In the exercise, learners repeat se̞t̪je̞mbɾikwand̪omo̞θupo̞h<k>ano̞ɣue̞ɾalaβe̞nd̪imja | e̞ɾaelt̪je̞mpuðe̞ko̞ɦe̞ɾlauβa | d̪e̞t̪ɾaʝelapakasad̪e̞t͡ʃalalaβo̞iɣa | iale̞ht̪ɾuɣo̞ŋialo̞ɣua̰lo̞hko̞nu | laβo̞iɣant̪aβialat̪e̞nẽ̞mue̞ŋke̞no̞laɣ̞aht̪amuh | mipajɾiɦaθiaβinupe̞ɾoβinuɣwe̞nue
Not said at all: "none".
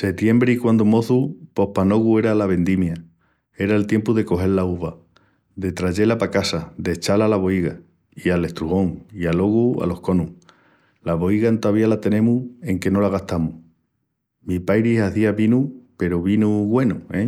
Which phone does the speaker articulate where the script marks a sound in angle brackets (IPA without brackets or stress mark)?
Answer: p